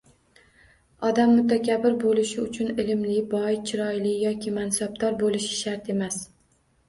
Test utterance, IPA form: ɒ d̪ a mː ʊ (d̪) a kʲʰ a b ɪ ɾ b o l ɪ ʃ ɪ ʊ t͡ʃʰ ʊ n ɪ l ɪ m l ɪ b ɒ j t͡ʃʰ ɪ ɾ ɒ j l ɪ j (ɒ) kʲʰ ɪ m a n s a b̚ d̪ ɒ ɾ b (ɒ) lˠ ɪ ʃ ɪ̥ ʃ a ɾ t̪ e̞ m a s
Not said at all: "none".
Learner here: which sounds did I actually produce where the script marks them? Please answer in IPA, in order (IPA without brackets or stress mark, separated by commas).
t̪, ɒ, o